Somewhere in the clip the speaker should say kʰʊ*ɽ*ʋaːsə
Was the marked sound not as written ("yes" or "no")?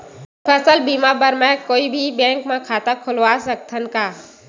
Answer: yes